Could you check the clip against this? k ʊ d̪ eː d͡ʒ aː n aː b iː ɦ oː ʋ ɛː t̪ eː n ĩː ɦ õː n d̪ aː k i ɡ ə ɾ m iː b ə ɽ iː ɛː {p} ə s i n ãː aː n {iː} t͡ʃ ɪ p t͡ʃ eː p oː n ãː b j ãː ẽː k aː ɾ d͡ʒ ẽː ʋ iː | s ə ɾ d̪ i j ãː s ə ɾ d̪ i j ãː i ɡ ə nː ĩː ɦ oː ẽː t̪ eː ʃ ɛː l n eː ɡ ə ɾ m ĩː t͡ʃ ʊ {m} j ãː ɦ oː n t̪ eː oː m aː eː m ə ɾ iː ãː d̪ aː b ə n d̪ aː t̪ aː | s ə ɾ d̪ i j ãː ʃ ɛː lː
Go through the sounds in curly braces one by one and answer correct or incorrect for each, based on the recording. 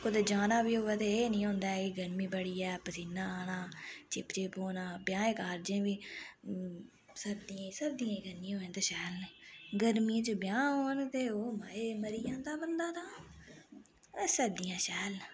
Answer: correct, incorrect, incorrect

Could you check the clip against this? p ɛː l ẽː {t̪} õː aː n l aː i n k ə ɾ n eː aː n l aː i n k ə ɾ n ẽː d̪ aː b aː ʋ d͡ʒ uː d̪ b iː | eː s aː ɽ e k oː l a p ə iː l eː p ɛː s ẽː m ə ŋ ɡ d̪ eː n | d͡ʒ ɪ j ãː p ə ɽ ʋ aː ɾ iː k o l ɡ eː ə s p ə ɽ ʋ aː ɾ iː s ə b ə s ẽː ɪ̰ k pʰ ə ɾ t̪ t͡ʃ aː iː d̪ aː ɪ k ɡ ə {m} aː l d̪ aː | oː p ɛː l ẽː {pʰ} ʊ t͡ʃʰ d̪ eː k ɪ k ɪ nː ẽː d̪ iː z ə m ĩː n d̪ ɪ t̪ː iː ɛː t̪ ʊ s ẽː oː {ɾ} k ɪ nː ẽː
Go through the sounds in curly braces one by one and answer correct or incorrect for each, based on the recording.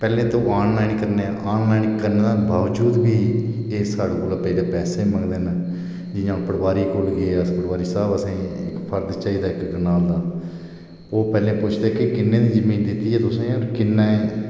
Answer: correct, incorrect, incorrect, correct

